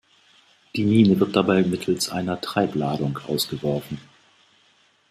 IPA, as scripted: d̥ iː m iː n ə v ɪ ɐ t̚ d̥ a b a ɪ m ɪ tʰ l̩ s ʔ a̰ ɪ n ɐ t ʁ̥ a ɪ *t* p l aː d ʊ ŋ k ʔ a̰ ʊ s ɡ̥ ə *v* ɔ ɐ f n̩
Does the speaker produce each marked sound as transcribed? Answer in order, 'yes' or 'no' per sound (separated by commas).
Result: no, yes